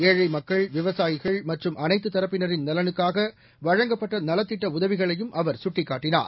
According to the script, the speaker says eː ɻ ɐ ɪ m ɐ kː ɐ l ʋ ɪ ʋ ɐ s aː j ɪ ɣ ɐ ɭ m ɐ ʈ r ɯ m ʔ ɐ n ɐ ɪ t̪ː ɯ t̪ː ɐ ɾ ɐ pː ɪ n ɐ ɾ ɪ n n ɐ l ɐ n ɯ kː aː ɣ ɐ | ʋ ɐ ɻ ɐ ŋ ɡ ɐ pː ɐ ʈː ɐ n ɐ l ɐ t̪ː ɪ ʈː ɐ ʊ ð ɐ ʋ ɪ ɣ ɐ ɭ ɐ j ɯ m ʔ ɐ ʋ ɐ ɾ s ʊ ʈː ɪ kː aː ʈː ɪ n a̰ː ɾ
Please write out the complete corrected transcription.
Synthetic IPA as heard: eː ɻ ɐ ɪ m ɐ kː ɐ ɭ ʋ ɪ ʋ ɐ s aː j ɪ ɣ ɐ ɭ m ɐ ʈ r ɯ m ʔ ɐ n ɐ ɪ t̪ː ɯ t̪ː ɐ ɾ ɐ pː ɪ n ɐ ɾ ɪ n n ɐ l ɐ n ɯ kː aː ɣ ɐ | ʋ ɐ ɻ ɐ ŋ ɡ ɐ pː ɐ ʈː ɐ n ɐ l ɐ t̪ː ɪ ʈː ɐ ʊ ð ɐ ʋ ɪ ɣ ɐ ɭ ɐ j ɯ m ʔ ɐ ʋ ɐ ɾ s ʊ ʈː ɪ kː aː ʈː ɪ n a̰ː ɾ